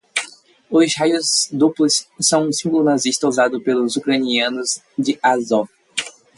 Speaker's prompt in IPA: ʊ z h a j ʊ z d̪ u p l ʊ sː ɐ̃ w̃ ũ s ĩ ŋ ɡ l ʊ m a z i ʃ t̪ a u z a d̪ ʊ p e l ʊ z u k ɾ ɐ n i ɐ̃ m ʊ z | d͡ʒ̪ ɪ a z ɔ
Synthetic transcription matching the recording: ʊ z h a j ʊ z d̪ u p l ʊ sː ɐ̃ w̃ ũ s ĩ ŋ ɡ l ʊ n a z i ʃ t̪ ɐ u z a d̪ ʊ p e l ʊ z u k ɾ ɐ n i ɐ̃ n ʊ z | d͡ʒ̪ ɪ a z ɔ